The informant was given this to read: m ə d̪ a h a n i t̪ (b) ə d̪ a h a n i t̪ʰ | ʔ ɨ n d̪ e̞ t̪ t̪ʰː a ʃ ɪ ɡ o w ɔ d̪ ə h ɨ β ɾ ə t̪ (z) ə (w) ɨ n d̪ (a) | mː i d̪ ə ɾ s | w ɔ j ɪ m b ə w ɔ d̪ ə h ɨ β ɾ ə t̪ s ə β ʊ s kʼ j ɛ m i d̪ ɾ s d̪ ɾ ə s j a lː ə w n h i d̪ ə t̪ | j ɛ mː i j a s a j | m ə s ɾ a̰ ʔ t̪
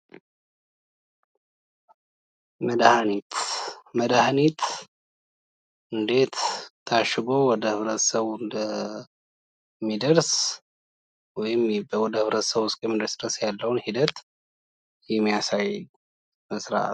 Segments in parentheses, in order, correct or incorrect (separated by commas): incorrect, incorrect, incorrect, incorrect